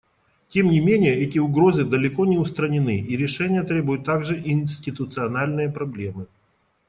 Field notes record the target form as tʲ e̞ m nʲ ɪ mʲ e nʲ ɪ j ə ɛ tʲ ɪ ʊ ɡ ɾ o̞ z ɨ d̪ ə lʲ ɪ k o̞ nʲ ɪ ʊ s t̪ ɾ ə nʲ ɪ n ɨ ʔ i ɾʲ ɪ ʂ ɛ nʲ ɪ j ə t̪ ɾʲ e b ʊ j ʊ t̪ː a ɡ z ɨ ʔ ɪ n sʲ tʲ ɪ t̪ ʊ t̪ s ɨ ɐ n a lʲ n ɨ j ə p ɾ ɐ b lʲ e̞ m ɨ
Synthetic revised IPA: tʲ e̞ m nʲ ɪ mʲ e nʲ ɪ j ə ɛ tʲ ɪ ʊ ɡ ɾ o̞ z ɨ d̪ ə lʲ ɪ k o̞ nʲ ɪ ʊ s t̪ ɾ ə nʲ ɪ n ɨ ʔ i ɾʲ ɪ ʂ ɛ nʲ ɪ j ə t̪ ɾʲ e b ʊ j ʊ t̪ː a ɡ ʐ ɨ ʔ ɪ n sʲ tʲ ɪ t̪ ʊ t̪ s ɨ ɐ n a lʲ n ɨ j ə p ɾ ɐ b lʲ e̞ m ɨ